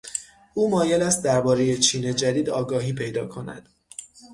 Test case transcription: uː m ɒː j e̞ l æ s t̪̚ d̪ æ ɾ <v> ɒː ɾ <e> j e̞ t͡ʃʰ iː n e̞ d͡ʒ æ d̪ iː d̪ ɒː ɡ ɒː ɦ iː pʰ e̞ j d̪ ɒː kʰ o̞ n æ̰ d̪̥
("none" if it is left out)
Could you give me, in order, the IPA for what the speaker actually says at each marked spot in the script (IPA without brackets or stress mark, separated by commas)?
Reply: b, e